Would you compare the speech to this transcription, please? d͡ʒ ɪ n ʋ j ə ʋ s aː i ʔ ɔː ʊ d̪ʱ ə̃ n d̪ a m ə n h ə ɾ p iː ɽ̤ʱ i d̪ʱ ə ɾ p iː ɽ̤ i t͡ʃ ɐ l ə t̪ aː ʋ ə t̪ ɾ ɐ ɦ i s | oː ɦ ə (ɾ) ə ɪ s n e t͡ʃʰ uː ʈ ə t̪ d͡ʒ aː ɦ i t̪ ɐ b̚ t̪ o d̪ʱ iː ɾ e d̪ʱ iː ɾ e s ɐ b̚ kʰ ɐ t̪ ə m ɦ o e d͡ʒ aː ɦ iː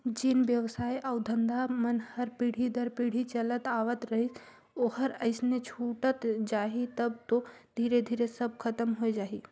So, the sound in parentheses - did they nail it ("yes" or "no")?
yes